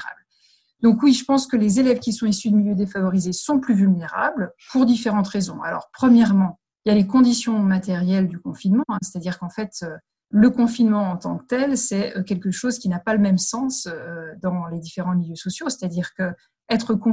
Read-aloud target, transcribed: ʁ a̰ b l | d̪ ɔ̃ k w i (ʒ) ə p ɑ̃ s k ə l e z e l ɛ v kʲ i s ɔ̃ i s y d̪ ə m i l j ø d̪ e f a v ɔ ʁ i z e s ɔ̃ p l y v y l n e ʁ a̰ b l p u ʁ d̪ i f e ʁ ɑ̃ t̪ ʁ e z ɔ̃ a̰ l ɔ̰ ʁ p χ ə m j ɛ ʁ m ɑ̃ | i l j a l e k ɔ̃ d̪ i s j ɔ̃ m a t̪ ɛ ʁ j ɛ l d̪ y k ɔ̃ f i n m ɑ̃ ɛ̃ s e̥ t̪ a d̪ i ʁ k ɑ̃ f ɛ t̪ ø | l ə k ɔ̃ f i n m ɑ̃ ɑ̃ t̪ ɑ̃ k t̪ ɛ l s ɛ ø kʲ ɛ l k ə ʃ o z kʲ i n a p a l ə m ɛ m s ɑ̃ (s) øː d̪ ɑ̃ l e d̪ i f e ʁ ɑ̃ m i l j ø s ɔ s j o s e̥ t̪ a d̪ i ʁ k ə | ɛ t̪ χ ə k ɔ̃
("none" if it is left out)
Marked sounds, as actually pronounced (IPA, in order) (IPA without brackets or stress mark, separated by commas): ʒ, s